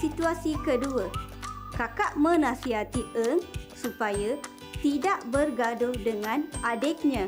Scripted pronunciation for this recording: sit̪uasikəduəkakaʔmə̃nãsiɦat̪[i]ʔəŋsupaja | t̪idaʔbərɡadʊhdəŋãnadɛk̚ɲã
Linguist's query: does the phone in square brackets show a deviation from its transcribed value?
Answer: no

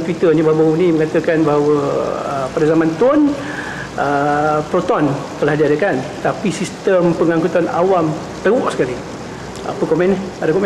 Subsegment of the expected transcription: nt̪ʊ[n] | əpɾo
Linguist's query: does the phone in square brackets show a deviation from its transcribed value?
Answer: no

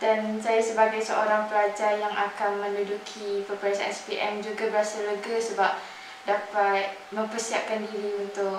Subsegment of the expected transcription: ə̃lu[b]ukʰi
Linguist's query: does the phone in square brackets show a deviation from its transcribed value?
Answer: yes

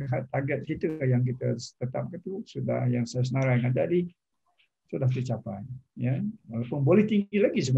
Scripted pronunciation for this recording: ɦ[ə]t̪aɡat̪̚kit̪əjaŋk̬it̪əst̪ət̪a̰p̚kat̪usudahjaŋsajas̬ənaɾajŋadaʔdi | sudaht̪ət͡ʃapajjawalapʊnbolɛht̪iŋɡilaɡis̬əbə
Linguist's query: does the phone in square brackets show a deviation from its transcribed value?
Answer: yes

